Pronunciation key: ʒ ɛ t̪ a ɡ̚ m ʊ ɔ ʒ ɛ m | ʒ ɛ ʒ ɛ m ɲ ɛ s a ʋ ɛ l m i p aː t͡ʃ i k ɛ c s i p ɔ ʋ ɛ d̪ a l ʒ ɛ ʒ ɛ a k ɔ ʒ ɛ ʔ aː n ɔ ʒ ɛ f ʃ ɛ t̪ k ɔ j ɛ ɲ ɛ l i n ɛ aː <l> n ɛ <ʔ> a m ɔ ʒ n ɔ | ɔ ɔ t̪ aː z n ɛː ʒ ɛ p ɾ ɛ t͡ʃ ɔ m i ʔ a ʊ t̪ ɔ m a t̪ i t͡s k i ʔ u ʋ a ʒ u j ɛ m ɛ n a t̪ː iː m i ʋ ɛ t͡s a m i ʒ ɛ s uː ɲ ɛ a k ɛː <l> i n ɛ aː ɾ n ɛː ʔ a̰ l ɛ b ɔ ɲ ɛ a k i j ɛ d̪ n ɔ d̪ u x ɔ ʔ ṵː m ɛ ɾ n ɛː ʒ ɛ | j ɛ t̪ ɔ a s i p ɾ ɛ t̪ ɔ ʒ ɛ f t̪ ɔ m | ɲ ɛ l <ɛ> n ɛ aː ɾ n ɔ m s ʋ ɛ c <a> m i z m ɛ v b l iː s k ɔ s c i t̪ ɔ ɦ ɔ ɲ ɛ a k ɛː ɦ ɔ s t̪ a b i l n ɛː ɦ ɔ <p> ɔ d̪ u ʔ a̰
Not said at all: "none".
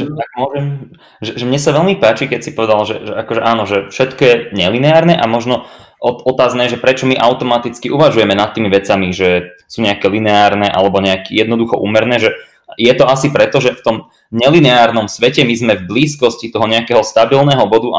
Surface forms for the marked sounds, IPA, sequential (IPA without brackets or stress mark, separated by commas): ɾ, ʔ, l, i, ɛ, b